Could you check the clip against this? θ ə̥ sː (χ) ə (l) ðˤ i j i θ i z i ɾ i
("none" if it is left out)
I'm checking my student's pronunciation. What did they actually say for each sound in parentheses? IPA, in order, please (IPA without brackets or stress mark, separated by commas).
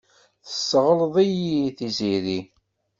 ʁ, l